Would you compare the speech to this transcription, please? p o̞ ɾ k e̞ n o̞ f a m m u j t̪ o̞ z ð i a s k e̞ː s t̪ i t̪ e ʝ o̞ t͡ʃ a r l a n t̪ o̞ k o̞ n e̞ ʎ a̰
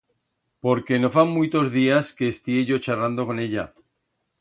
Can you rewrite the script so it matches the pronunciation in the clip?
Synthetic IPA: p o̞ ɾ k e̞ n o̞ f a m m u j t̪ o̞ z ð i a s k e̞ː s t̪ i e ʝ o̞ t͡ʃ a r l a n d̪ o̞ k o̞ n e̞ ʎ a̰